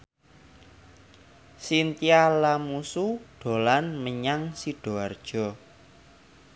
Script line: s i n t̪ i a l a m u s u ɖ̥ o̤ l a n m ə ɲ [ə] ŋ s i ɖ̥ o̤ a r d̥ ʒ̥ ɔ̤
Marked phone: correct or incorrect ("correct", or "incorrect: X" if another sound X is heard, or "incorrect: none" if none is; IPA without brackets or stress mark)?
incorrect: a